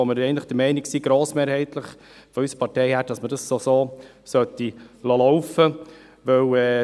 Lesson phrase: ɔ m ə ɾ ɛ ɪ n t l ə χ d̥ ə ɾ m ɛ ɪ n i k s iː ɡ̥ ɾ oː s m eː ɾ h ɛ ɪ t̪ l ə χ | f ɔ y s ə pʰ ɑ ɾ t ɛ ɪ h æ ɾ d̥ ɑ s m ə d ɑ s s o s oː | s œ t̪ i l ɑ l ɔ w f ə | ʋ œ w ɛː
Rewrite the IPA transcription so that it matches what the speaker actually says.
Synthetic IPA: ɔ m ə ɾ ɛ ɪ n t l ə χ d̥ ə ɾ m ɛ ɪ n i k s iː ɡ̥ ɾ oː s m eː ɾ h ɛ ɪ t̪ l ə χ | f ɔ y s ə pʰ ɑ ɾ t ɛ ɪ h æ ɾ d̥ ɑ s m ə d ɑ s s o s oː | s œ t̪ i l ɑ l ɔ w f ə | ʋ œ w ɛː